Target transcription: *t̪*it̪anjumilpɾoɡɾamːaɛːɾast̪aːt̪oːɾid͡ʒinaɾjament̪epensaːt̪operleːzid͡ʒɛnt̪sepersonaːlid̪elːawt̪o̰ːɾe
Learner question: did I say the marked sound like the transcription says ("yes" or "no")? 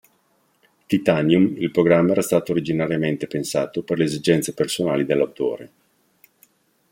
yes